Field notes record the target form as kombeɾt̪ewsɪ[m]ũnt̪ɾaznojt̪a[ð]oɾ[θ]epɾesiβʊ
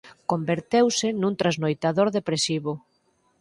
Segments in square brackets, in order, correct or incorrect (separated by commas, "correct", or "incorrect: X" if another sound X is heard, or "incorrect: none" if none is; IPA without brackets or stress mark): incorrect: n, correct, incorrect: ð